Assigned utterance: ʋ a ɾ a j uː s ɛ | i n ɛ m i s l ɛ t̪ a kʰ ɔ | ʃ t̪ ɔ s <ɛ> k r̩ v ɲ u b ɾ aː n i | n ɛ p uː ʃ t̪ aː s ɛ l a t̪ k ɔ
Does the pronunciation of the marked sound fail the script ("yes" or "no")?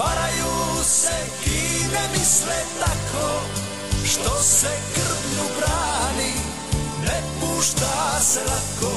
no